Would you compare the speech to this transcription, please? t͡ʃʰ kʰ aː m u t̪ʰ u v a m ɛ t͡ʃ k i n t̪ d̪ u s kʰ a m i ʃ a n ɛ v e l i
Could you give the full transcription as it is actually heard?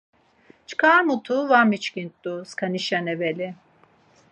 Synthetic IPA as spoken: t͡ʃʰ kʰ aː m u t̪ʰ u v a m i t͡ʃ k i n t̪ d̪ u s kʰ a n i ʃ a n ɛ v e l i